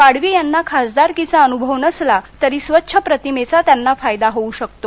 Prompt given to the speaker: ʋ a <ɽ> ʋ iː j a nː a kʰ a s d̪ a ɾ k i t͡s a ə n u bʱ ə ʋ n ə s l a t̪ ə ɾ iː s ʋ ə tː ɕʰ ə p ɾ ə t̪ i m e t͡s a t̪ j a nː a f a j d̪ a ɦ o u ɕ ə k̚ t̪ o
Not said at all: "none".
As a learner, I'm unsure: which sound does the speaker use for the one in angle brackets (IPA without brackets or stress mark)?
ɽ